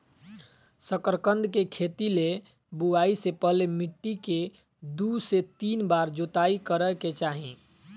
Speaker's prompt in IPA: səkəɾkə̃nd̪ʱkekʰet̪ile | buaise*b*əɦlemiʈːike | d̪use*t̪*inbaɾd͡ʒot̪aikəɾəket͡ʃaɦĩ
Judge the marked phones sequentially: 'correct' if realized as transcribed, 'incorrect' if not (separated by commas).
incorrect, correct